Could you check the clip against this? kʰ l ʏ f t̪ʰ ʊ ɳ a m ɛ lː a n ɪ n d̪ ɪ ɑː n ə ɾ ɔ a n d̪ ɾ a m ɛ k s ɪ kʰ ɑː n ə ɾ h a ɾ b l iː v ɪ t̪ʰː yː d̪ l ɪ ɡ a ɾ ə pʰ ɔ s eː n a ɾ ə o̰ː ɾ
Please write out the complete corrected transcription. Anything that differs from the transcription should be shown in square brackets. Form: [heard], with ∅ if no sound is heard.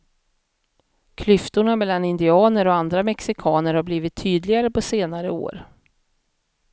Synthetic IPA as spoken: kʰ l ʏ f [t̪] ʊ ɳ a m ɛ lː a n ɪ n d̪ ɪ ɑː n ə ɾ ɔ a n d̪ ɾ a m ɛ k s ɪ kʰ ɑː n ə ɾ h a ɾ b l iː v ɪ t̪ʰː yː d̪ l ɪ ɡ a ɾ ə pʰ ɔ s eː n a ɾ ə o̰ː ɾ